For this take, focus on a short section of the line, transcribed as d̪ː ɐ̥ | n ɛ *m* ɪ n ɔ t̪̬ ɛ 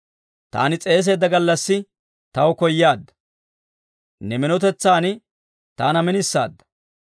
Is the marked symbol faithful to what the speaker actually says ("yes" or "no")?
yes